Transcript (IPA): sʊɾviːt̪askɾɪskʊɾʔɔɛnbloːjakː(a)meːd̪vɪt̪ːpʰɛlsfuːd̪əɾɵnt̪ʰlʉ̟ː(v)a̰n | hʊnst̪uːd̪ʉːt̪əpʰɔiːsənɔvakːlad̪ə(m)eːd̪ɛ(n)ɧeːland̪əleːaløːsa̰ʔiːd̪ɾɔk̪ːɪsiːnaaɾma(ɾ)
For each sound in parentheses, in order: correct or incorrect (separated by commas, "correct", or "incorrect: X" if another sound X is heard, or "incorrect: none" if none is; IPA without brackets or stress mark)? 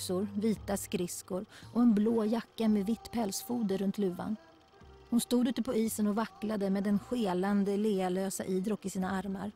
correct, correct, correct, correct, correct